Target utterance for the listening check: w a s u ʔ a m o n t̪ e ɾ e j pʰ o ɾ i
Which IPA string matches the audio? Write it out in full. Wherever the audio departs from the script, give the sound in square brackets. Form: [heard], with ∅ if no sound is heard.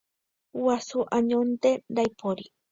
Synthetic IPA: w a s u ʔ a [ɲ] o n t̪ e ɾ [a] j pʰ o ɾ i